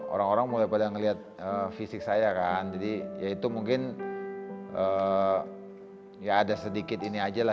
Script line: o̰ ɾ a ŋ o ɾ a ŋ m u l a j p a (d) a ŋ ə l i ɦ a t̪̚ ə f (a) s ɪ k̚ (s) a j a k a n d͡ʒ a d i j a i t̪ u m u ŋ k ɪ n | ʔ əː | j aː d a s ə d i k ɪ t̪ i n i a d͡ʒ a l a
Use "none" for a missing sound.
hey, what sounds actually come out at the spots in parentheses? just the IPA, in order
d, i, s

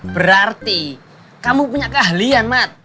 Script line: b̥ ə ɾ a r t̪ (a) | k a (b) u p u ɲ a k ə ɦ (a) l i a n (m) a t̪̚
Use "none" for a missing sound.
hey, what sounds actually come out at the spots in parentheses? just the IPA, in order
i, m, a, m

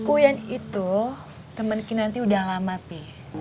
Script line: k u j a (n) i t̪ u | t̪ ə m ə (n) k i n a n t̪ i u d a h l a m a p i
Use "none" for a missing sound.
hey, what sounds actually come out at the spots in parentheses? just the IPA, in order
n, n

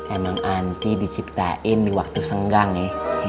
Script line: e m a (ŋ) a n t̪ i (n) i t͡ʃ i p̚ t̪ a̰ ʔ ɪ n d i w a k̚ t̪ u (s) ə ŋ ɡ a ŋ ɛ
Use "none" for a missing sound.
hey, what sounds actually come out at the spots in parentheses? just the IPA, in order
ŋ, d, s

